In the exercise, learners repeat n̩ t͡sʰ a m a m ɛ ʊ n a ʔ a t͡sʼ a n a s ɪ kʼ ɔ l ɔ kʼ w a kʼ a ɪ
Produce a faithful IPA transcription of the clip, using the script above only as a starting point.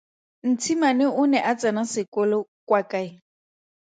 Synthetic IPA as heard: n̩ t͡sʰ i m a n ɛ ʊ n ɛ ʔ a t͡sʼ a n a s ɪ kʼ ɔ l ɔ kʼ w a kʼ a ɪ